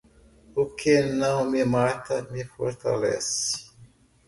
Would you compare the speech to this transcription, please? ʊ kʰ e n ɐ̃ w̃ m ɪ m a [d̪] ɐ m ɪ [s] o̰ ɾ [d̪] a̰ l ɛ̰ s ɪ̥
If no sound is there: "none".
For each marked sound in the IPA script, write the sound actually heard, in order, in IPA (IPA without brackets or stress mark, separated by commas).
t̪, f, t̪